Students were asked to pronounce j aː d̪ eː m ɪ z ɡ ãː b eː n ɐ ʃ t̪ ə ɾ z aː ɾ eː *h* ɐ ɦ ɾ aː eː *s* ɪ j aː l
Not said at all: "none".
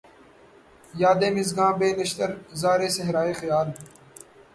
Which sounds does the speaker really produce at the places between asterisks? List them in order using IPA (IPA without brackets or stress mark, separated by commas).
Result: s, x